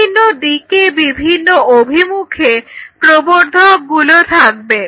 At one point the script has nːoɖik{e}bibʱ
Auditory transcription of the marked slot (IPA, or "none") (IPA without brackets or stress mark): e